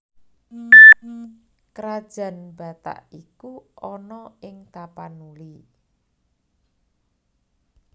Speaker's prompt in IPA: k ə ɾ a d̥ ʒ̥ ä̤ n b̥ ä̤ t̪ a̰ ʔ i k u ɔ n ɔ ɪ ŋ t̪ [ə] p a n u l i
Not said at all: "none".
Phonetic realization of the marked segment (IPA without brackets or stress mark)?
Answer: a